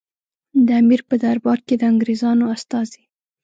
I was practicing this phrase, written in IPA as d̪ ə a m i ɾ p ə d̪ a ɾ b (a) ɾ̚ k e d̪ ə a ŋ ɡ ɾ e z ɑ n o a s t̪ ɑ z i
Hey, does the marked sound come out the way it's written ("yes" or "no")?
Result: no